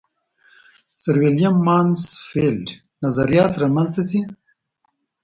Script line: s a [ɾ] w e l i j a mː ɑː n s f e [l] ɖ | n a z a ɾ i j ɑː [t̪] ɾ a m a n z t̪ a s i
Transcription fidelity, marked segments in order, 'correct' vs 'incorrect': correct, correct, correct

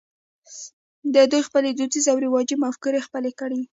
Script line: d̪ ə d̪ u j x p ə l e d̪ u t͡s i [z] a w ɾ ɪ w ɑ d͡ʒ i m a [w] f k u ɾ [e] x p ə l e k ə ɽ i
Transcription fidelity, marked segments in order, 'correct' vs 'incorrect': correct, incorrect, correct

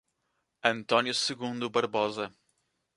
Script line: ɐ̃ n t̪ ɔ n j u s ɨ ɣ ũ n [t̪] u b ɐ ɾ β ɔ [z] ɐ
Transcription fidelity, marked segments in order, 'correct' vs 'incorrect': incorrect, correct

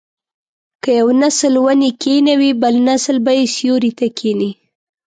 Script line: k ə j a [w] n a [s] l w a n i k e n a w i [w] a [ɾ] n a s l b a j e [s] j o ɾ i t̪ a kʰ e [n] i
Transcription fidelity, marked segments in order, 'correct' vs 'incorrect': correct, correct, incorrect, incorrect, correct, correct

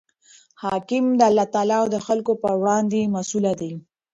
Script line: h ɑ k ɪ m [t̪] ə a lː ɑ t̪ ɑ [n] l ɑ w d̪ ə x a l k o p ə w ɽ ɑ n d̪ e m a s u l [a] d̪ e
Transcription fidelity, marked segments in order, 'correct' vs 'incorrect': incorrect, incorrect, correct

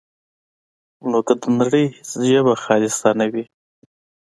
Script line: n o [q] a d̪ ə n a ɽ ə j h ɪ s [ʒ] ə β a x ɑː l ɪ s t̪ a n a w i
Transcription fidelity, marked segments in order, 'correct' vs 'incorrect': incorrect, correct

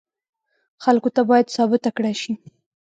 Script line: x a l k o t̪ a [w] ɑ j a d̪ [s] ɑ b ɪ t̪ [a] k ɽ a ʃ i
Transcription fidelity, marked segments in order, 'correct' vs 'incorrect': incorrect, correct, correct

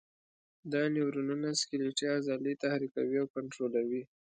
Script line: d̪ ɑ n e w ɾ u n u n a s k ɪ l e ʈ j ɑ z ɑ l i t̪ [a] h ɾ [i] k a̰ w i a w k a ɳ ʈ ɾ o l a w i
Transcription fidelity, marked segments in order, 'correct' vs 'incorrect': correct, correct

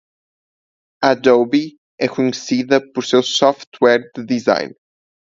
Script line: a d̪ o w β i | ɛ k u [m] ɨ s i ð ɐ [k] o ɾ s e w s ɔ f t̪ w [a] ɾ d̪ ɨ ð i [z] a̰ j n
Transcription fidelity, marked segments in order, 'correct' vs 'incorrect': incorrect, incorrect, incorrect, correct

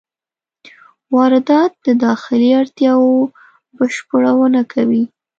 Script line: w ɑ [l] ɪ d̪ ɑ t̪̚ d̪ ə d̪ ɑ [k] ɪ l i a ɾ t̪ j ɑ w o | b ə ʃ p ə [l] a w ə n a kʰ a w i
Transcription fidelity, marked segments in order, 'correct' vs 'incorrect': incorrect, incorrect, incorrect

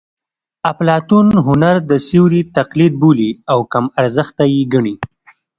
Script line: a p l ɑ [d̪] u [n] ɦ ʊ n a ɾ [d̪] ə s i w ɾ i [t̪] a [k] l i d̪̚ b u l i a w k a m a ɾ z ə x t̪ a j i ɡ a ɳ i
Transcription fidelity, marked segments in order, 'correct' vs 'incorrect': incorrect, correct, correct, correct, incorrect

